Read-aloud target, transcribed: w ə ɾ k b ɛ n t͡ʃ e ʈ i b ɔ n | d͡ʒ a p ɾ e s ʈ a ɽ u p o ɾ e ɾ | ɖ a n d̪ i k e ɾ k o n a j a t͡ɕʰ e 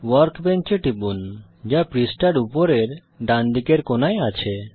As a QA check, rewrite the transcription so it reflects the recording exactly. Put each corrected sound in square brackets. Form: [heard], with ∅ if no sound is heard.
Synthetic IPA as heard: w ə ɾ k b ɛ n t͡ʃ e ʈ i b [u] n | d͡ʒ a p ɾ [i] s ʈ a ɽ u p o ɾ e ɾ | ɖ a n d̪ i k e ɾ k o n a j a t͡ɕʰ e